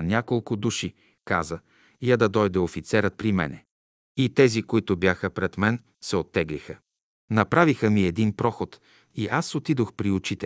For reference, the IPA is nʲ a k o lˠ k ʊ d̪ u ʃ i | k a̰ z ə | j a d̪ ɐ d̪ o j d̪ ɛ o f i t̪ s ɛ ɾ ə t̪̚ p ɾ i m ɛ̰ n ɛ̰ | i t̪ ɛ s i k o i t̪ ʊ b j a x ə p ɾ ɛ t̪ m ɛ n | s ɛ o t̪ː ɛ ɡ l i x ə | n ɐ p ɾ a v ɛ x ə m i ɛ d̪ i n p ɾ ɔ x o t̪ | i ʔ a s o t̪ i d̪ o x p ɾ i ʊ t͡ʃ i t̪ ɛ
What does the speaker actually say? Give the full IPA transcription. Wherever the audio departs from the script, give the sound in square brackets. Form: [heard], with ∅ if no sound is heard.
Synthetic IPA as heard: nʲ a k o lˠ k ʊ d̪ u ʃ i | k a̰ z ə | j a d̪ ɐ d̪ [ɔ] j d̪ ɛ o f i t̪ s ɛ ɾ ə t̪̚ p ɾ i m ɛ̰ n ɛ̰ | i t̪ ɛ [z] i k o i t̪ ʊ b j a x ə p ɾ ɛ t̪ m ɛ n | s ɛ o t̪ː ɛ ɡ l i x ə | n ɐ p ɾ a v [i] x ə m i ɛ d̪ i n p ɾ ɔ x o t̪ | i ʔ a s o t̪ i d̪ o x p ɾ i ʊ t͡ʃ i t̪ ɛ